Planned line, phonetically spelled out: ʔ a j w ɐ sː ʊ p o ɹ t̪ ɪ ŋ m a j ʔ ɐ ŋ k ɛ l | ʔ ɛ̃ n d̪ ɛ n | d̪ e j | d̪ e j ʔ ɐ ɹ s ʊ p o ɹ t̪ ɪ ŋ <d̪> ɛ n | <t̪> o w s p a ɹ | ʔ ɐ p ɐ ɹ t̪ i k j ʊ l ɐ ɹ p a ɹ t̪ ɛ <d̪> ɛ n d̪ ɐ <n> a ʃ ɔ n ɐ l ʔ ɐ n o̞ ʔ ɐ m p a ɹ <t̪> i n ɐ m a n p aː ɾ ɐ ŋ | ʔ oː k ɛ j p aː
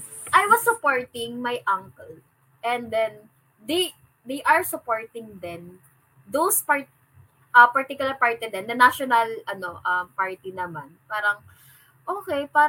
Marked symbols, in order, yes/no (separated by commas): yes, no, yes, yes, yes